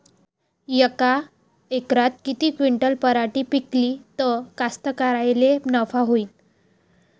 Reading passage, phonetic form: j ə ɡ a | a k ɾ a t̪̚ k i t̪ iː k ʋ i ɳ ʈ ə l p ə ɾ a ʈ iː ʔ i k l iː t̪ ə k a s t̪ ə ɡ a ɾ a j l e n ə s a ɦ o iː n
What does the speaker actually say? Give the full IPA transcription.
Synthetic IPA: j ə k a | e k ɾ a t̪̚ k i t̪ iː k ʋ i ɳ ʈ ə l p ə ɾ a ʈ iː p i k l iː t̪ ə k a s t̪ ə k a ɾ a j l e n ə f a ɦ o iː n